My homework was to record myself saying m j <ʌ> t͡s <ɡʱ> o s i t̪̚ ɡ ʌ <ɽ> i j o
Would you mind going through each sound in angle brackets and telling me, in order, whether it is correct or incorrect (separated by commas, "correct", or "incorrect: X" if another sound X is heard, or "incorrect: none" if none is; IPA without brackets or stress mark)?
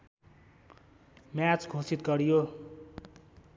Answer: incorrect: a, correct, incorrect: ɾ